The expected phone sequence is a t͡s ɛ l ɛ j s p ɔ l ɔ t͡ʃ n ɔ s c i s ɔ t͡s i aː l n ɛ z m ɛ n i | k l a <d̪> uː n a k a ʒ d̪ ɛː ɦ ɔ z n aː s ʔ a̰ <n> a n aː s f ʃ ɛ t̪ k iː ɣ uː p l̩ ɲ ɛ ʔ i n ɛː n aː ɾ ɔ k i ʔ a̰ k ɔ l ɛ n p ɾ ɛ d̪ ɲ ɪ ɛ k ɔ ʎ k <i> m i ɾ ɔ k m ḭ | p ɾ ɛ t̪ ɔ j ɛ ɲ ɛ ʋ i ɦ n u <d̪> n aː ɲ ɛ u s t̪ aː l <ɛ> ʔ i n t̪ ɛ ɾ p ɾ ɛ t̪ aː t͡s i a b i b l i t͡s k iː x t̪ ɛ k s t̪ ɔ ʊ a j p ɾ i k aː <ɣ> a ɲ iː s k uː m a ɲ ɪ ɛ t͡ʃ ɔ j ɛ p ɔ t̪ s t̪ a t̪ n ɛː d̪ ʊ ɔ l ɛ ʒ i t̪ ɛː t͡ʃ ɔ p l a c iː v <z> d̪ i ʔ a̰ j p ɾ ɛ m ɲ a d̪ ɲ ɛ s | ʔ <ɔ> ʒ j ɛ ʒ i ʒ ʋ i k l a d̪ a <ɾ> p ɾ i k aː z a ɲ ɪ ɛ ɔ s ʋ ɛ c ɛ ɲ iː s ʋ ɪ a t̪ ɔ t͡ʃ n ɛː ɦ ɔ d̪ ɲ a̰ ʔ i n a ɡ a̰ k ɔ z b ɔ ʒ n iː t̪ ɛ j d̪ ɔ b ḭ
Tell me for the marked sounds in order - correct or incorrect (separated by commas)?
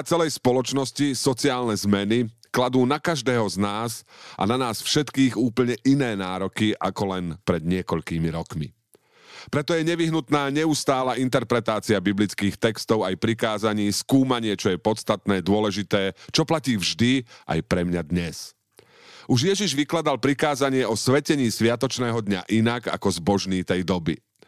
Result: correct, correct, incorrect, incorrect, incorrect, incorrect, incorrect, incorrect, incorrect